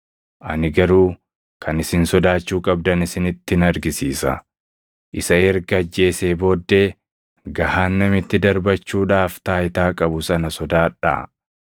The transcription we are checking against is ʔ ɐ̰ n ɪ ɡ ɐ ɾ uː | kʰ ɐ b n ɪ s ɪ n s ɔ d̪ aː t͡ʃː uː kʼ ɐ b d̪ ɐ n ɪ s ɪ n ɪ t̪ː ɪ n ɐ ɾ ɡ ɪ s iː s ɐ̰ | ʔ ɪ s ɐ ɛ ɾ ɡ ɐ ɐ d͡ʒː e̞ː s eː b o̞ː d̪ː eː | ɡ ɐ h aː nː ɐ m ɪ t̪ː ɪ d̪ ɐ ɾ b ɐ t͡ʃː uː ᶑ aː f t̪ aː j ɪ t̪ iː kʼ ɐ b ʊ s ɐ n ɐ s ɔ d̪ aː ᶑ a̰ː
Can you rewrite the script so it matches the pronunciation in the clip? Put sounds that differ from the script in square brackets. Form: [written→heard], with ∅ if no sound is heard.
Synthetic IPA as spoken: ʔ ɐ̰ n ɪ ɡ ɐ ɾ uː | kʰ ɐ [b→∅] n ɪ s ɪ n s ɔ d̪ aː t͡ʃː uː kʼ ɐ b d̪ ɐ n ɪ s ɪ n ɪ t̪ː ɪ n ɐ ɾ ɡ ɪ s iː s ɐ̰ | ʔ ɪ s ɐ ɛ ɾ ɡ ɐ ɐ d͡ʒː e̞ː s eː b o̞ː d̪ː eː | ɡ ɐ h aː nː ɐ m ɪ t̪ː ɪ d̪ ɐ ɾ b ɐ t͡ʃː uː ᶑ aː f t̪ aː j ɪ t̪ [iː→aː] kʼ ɐ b ʊ s ɐ n ɐ s ɔ d̪ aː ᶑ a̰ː